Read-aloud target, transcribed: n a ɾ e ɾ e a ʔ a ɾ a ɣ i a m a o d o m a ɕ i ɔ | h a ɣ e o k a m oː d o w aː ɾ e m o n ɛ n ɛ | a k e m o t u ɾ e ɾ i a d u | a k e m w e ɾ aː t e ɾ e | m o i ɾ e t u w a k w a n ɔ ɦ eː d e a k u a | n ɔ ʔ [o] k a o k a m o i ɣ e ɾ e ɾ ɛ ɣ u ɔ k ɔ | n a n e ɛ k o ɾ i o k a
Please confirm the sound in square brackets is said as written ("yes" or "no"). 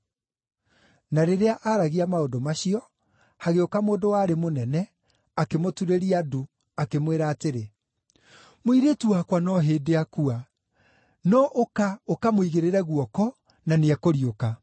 yes